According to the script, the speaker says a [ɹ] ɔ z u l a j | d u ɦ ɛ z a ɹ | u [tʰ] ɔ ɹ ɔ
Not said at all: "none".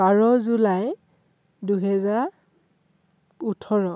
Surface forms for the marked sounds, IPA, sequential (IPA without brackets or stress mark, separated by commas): ɹ, tʰ